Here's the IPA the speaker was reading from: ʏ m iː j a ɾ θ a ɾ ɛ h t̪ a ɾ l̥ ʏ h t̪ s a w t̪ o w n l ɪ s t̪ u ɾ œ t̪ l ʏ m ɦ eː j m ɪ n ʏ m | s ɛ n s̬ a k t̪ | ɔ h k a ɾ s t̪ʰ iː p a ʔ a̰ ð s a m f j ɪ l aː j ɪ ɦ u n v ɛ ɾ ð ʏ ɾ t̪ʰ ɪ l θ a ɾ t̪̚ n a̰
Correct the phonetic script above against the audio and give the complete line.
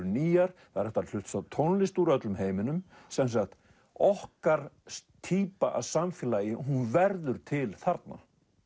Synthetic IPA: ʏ n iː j a ɾ θ a ɾ ɛ h t̪ a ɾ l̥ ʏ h t̪ s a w t̪ʰ o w n l ɪ s t̪ u ɾ œ t̪ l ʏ m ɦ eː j m ɪ n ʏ m | s ɛ n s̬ a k t̪ | ɔ h k a ɾ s t̪ʰ iː p a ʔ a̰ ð s a m f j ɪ l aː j ɪ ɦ u n v ɛ ɾ ð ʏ ɾ t̪ʰ ɪ l θ a ɾ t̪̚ n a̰